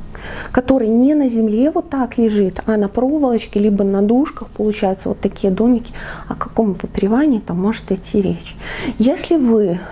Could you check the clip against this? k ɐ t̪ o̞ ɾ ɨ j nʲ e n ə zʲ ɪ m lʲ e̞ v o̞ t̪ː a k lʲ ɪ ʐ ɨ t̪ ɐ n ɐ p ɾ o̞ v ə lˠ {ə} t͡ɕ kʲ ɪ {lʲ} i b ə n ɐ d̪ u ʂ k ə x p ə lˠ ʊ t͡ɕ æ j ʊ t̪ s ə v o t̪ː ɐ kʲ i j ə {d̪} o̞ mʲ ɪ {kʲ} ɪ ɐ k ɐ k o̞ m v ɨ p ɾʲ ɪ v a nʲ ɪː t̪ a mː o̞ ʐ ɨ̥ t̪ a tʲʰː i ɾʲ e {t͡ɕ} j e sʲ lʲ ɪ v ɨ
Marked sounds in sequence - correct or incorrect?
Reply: correct, correct, correct, correct, correct

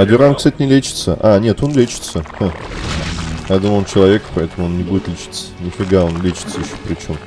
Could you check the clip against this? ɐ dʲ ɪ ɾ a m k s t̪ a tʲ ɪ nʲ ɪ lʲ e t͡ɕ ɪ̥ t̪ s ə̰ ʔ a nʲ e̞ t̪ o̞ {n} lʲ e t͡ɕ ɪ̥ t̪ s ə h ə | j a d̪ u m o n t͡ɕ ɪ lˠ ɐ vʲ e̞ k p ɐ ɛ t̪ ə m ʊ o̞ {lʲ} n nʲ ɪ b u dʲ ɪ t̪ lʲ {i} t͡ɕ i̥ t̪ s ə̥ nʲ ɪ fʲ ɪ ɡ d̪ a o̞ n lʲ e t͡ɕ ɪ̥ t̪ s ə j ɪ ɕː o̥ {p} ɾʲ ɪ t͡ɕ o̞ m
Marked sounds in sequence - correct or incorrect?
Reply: correct, incorrect: none, incorrect: ɪ, correct

